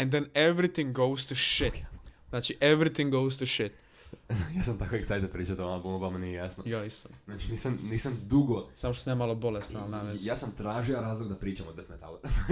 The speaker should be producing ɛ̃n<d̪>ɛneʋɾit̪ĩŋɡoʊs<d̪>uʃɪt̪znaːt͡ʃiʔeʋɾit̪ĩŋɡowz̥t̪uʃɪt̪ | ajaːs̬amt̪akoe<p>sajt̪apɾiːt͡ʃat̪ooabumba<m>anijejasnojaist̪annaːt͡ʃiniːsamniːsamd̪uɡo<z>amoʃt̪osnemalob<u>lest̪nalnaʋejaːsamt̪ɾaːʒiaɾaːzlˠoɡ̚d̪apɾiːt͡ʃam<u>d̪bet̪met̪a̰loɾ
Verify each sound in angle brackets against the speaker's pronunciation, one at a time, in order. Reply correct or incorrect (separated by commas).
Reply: correct, incorrect, incorrect, correct, incorrect, incorrect, incorrect